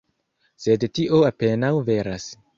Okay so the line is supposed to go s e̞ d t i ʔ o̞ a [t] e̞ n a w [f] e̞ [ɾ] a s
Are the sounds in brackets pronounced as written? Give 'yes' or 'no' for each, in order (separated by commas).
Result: no, no, yes